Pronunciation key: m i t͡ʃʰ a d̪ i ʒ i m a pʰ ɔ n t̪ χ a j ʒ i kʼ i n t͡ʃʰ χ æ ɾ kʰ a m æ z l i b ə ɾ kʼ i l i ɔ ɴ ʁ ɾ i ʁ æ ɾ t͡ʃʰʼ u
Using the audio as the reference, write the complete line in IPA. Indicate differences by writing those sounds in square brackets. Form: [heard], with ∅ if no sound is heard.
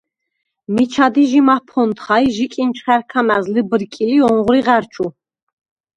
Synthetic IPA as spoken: m i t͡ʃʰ a d̪ i ʒ i m a pʰ ɔ n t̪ χ a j ʒ i kʼ i n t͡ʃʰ χ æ ɾ kʰ a m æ z l i b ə ɾ kʼ i l i ɔ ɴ ʁ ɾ i ʁ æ ɾ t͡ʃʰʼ u